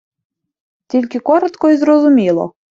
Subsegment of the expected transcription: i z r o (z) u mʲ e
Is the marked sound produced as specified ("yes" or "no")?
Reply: yes